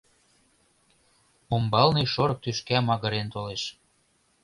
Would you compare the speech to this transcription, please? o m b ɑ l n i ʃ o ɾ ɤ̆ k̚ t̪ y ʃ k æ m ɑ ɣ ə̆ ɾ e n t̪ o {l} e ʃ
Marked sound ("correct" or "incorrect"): correct